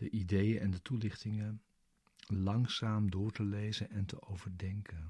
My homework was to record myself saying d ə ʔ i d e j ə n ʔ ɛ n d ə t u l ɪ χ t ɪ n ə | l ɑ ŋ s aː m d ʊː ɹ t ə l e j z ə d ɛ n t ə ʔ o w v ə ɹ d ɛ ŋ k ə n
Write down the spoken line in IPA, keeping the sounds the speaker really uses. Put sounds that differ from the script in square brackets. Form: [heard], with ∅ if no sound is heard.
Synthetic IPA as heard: d ə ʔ i d e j ə n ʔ ɛ n d ə t u l ɪ χ t ɪ [ŋ] ə | l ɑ ŋ s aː m d ʊː ɹ t ə l e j z ə [n] ɛ n t ə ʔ o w v ə ɹ d ɛ ŋ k ə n